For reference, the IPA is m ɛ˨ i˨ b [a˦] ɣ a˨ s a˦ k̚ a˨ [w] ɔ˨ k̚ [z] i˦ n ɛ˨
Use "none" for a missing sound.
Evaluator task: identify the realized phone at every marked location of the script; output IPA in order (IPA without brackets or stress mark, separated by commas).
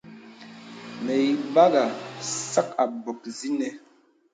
a˦, b, z